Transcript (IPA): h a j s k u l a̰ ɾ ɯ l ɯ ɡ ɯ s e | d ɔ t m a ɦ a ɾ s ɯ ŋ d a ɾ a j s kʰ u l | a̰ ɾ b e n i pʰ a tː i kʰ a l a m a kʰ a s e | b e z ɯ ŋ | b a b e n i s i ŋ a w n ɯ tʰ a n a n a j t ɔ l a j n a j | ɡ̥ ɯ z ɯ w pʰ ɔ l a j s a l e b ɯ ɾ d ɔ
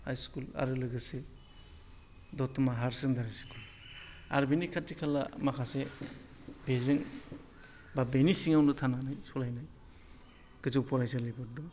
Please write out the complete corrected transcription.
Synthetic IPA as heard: h a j s k u l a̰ ɾ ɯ l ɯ ɡ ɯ s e | d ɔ t m a ɦ a ɾ s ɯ ŋ d a ɾ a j s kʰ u l | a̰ ɾ b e n i kʰ a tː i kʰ a l a m a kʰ a s e | b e z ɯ ŋ | b a b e n i s i ŋ a w n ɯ tʰ a n a n a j s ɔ l a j n a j | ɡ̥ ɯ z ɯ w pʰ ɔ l a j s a l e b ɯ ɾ d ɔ

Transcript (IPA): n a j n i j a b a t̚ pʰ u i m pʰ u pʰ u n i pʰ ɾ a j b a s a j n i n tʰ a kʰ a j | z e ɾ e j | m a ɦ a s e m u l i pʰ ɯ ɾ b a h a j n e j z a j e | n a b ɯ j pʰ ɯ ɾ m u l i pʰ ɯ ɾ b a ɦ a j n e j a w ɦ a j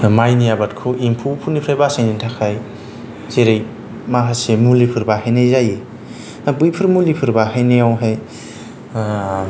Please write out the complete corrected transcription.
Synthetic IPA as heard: m a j n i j a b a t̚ kʰ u i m pʰ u pʰ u n i pʰ ɾ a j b a s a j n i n tʰ a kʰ a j | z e ɾ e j | m a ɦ a s e m u l i pʰ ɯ ɾ b a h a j n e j z a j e | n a b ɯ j pʰ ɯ ɾ m u l i pʰ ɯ ɾ b a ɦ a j n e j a w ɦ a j

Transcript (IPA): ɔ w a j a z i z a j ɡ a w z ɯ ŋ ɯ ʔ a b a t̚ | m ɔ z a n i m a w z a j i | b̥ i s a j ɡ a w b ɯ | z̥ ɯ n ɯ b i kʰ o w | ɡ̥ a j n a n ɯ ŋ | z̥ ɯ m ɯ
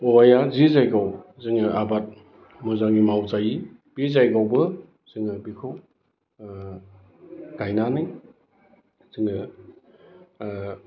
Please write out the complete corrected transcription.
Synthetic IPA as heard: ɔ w a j a z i z a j ɡ a w z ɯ ŋ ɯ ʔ a b a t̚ | m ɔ z a ŋ i m a w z a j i | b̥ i z a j ɡ a w b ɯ | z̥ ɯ ŋ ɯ b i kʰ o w | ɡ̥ a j n a n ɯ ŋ | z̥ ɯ ŋ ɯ

